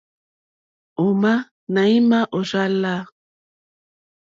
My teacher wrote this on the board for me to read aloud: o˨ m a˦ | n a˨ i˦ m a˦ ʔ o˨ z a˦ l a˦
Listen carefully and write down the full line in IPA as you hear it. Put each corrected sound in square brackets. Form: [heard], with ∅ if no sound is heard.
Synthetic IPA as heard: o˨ m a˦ | n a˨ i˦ m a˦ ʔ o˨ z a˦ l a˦